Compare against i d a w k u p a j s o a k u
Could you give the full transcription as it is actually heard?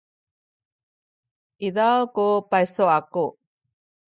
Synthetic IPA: i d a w k u p a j s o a k u